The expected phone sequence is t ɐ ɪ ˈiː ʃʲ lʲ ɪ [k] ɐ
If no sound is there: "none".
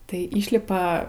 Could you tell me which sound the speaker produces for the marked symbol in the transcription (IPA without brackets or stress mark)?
p